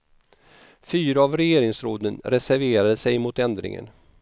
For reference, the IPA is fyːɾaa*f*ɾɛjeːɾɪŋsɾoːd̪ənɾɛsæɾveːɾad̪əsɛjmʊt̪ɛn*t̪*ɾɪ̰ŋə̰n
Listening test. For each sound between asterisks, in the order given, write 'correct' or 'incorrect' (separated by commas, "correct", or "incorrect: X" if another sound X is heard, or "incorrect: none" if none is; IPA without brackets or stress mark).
incorrect: v, incorrect: d̪